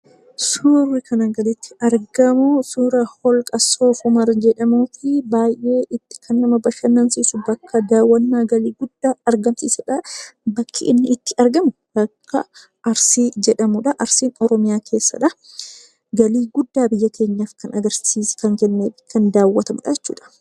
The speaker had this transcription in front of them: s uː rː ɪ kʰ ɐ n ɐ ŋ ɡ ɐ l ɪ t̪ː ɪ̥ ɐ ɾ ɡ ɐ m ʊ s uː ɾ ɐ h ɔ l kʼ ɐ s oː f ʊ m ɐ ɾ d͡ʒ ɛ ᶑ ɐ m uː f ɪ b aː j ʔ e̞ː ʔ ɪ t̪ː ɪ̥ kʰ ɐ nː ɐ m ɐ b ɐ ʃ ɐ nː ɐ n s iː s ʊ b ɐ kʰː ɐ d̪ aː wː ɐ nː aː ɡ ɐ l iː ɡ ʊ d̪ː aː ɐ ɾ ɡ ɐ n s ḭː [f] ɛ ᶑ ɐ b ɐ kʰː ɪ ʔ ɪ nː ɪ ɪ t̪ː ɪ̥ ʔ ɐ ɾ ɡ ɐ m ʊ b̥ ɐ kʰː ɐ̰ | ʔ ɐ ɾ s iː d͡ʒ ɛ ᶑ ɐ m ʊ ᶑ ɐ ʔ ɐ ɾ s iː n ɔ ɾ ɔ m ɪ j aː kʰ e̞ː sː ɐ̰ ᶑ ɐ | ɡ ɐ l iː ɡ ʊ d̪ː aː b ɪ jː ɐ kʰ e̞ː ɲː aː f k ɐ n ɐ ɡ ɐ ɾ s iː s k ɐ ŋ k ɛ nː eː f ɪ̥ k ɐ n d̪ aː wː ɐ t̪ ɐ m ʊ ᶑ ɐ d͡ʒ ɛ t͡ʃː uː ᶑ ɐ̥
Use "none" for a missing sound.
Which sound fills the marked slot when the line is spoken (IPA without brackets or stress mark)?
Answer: s